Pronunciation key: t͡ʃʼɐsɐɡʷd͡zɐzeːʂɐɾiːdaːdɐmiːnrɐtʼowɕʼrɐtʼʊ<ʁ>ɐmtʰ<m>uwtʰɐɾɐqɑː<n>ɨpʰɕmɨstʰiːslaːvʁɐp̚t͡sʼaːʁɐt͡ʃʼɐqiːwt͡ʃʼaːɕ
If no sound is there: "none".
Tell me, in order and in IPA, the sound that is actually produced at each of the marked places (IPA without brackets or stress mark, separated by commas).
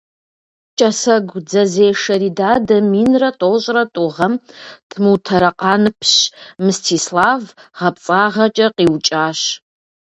ʁ, m, n